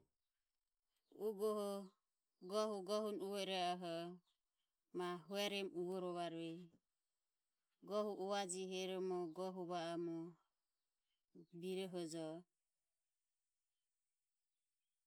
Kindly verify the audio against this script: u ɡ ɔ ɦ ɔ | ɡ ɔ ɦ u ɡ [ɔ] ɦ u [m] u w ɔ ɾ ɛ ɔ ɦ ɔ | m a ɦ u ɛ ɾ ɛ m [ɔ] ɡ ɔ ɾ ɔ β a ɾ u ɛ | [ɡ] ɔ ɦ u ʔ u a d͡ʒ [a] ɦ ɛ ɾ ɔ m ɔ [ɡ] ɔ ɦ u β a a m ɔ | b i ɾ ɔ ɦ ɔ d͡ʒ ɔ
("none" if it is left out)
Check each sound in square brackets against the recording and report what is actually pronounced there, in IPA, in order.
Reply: ɔ, n, u, ɡ, i, ɡ

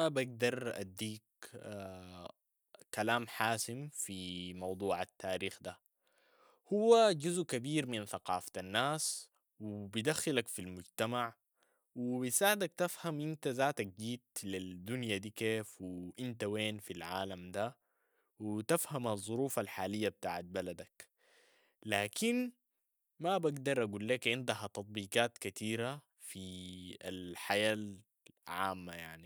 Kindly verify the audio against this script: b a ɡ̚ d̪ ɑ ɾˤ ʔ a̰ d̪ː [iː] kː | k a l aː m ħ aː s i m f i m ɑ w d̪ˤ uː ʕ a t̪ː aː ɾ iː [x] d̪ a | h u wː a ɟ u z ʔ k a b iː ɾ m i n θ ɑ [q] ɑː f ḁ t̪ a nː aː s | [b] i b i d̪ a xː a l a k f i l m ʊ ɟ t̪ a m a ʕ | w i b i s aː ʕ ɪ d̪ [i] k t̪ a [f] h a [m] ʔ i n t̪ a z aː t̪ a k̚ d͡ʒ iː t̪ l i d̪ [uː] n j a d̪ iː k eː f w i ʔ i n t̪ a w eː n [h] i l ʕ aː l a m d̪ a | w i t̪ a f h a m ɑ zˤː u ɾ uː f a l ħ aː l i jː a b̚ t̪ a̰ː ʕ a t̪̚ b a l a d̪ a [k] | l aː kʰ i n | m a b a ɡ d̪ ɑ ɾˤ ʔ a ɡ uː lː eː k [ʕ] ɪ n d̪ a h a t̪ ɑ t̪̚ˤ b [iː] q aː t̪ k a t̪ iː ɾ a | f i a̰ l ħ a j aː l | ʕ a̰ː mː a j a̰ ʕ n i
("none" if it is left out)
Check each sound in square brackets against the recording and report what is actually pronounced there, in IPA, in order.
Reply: iː, x, q, w, a, f, m, u, f, k, ʕ, iː

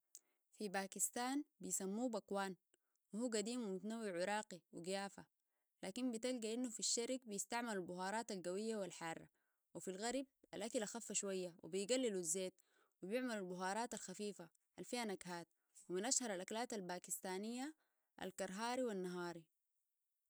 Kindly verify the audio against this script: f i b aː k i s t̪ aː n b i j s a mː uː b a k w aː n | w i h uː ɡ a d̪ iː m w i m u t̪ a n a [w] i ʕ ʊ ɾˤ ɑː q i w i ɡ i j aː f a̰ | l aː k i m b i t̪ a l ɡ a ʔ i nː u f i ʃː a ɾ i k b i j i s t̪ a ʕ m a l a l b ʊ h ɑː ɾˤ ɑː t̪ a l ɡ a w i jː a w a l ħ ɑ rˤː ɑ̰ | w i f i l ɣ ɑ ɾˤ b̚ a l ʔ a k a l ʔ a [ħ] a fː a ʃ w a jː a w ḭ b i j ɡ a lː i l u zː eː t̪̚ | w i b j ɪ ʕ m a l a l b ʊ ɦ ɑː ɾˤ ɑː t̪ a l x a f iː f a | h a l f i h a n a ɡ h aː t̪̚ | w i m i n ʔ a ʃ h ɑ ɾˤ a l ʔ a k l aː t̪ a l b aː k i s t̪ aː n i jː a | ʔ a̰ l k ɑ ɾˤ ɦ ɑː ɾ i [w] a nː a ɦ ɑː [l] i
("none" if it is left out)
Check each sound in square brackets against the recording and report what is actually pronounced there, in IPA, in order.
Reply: wː, x, w, ɾ

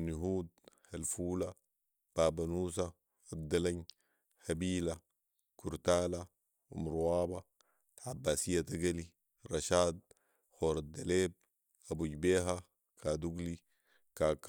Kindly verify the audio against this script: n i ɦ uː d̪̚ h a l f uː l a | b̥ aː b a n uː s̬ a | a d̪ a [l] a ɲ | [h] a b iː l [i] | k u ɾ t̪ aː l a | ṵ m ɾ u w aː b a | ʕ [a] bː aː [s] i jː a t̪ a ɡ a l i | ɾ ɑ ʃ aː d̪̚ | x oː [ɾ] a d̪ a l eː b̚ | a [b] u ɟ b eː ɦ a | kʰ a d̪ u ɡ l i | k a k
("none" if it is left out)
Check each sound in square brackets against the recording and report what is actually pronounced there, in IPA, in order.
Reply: l, h, a, a, s, ɾ, b

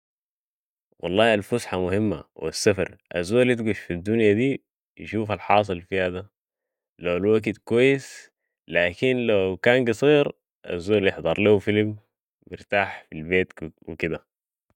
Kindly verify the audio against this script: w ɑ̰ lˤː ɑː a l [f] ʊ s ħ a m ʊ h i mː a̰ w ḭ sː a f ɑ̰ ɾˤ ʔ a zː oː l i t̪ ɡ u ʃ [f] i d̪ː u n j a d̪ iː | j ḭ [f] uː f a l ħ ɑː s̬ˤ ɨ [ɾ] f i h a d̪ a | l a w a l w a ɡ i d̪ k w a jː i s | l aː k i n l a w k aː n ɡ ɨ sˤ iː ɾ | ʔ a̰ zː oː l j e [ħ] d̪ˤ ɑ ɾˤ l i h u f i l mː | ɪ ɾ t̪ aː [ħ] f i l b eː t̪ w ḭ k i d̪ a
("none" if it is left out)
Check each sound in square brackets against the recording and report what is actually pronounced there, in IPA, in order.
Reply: f, f, ʃ, l, ħ, ħ

